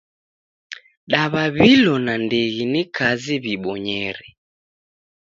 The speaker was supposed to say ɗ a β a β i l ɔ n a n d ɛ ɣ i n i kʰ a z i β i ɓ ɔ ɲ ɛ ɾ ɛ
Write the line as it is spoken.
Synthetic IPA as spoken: ɗ a β a β i l ɔ n a n d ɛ ɣ i n i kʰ a z i β i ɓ ɔ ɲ ɛ ɾ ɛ